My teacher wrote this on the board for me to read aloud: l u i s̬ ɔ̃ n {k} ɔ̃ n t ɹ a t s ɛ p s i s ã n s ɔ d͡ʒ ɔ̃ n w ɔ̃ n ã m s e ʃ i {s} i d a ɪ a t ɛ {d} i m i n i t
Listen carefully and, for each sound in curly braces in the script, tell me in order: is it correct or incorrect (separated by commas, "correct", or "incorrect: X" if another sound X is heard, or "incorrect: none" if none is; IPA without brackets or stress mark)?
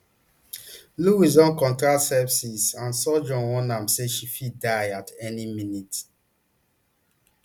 correct, incorrect: f, incorrect: n